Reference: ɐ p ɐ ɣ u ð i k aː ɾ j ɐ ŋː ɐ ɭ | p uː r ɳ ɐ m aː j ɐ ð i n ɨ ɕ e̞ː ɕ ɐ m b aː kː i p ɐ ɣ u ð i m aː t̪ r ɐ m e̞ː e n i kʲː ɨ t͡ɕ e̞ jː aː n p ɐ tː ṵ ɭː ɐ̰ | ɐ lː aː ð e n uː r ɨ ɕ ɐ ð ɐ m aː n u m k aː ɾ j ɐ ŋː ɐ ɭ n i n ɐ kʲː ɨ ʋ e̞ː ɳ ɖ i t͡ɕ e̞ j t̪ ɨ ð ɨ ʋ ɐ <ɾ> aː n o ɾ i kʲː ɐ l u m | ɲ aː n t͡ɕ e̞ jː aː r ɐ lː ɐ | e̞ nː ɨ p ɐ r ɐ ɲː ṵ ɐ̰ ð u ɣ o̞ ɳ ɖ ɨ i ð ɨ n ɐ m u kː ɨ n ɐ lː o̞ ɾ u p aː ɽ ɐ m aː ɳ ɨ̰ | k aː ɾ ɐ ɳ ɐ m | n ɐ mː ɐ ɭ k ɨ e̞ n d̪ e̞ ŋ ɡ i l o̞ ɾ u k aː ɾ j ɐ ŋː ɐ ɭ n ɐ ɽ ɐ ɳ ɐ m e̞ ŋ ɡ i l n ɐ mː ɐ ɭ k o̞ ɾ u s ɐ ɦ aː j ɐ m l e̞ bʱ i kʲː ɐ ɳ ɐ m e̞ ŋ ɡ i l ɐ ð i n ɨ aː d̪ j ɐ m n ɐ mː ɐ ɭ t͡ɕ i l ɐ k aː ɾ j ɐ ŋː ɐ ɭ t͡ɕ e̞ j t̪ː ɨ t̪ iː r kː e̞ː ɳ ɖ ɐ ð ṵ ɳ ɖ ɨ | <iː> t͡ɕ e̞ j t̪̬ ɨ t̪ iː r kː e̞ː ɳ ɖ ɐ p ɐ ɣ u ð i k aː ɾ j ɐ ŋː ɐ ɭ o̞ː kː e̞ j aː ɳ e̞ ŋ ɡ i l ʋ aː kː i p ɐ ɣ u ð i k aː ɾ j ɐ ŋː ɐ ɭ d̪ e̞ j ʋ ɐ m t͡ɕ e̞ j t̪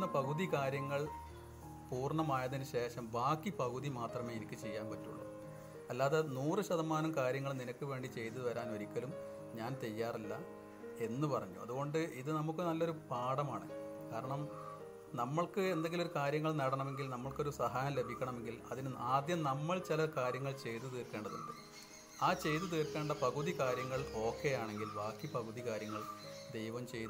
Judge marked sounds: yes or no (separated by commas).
yes, no